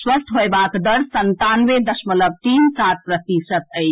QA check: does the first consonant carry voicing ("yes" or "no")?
no